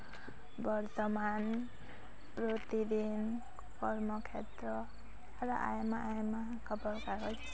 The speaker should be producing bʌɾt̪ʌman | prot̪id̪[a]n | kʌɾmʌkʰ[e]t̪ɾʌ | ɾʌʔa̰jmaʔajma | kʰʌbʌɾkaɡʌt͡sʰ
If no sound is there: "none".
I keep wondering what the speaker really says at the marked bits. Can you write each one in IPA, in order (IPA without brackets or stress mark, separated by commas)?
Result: i, e